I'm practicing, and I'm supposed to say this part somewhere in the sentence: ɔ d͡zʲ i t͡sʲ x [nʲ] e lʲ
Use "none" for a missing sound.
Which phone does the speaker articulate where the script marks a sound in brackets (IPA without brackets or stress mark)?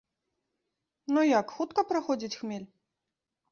mʲ